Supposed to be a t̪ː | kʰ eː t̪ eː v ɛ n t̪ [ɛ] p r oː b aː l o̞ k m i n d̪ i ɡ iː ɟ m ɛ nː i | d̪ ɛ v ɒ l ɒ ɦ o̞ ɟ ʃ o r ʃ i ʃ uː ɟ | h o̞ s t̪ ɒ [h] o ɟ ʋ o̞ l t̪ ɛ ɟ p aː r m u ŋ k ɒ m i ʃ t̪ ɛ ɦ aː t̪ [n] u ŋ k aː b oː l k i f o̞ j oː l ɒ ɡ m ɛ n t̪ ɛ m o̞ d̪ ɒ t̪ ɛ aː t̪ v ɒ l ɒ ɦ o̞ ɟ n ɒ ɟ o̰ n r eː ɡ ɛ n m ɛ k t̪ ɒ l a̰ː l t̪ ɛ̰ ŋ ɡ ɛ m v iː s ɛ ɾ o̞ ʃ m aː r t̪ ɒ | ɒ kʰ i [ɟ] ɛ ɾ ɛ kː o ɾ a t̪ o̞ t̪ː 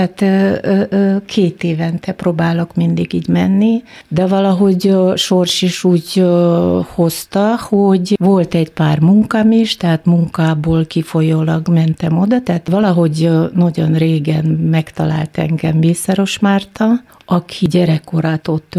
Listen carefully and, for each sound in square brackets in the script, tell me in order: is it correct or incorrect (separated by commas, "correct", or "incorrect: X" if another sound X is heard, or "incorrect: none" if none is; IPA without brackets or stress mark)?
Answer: correct, correct, incorrect: m, correct